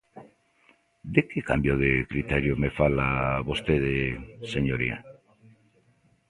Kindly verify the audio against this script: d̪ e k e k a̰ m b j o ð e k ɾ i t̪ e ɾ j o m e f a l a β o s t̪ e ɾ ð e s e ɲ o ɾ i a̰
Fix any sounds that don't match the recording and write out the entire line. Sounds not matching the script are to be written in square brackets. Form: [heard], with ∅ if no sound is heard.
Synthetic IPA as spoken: d̪ e k e k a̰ m b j o ð e k ɾ i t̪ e ɾ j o m e f a l a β o s t̪ e [∅] ð e s e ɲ o ɾ i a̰